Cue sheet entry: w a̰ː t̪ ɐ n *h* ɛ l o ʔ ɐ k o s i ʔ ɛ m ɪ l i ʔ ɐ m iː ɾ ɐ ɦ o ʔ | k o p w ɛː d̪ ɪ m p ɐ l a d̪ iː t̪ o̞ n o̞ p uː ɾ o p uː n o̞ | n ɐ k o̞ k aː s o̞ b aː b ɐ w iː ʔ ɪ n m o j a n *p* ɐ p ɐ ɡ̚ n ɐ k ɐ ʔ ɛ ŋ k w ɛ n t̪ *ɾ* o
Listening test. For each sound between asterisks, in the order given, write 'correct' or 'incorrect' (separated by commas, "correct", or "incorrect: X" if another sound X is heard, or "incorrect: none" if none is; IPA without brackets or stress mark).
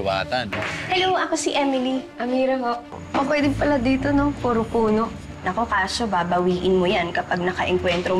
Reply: correct, incorrect: k, correct